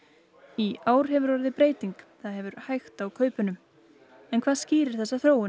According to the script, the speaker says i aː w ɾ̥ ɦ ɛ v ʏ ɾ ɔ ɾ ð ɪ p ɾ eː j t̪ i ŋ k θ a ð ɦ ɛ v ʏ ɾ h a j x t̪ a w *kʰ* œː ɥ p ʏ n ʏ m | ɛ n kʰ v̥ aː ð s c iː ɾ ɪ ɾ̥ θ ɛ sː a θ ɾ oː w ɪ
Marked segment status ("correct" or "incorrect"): correct